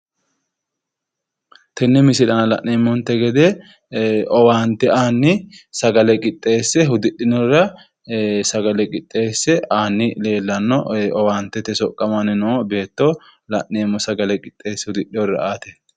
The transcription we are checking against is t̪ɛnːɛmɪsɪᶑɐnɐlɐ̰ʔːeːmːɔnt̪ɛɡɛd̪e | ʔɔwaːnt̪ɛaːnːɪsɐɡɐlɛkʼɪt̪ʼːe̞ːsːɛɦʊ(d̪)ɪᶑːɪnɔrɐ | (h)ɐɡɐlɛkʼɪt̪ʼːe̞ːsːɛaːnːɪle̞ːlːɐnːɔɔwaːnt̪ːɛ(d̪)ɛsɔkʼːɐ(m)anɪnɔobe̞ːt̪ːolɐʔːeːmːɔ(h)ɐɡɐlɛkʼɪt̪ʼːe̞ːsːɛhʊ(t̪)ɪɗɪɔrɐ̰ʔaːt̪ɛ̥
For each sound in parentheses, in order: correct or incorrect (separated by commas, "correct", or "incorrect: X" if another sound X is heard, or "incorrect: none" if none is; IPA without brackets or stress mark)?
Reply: correct, incorrect: s, incorrect: t̪, correct, incorrect: s, incorrect: d̪